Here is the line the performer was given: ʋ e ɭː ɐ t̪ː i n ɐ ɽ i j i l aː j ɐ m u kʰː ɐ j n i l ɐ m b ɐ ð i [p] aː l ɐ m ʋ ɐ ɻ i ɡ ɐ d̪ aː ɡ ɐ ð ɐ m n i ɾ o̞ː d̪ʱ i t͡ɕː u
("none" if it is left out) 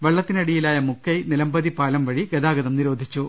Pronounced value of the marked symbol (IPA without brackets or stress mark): p